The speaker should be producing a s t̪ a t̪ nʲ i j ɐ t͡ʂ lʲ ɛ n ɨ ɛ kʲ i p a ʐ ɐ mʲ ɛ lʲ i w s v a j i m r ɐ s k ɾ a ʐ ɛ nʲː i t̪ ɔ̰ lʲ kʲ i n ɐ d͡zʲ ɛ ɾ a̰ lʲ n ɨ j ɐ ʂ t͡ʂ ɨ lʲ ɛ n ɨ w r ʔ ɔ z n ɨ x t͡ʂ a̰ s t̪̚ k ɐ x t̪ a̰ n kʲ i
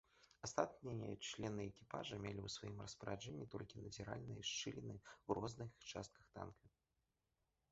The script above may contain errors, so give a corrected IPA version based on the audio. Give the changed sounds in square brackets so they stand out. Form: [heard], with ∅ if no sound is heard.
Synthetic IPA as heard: a s t̪ a t̪ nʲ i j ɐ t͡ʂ lʲ ɛ n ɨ ɛ kʲ i p a ʐ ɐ mʲ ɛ lʲ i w s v a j i m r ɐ s [p] ɾ a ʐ ɛ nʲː i t̪ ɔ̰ lʲ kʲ i n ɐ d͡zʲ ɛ ɾ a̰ lʲ n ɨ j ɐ ʂ t͡ʂ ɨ lʲ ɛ n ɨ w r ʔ ɔ z n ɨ x t͡ʂ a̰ s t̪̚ k ɐ x t̪ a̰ n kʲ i